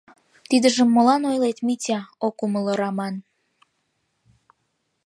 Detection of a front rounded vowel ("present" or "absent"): absent